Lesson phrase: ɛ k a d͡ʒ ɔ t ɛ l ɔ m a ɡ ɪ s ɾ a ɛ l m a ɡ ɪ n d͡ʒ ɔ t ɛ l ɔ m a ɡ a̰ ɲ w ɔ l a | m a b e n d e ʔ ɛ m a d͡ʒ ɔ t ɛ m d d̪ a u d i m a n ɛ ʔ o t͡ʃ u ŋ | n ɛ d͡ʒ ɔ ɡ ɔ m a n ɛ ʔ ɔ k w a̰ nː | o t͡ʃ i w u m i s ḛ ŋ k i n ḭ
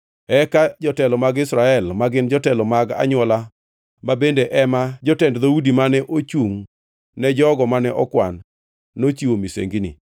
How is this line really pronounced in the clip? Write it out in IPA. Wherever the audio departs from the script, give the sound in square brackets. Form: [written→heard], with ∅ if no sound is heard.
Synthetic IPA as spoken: ɛ k a d͡ʒ ɔ t ɛ l ɔ m a ɡ ɪ s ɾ a ɛ l m a ɡ ɪ n d͡ʒ ɔ t ɛ l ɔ m a ɡ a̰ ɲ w ɔ l a | m a b e n d e ʔ ɛ m a d͡ʒ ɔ t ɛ [m→n] d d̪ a u d i m a n ɛ ʔ o t͡ʃ u ŋ | n ɛ d͡ʒ ɔ ɡ ɔ m a n ɛ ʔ ɔ k w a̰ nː | o t͡ʃ i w [u→o] m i s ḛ ŋ [k→ɡ] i n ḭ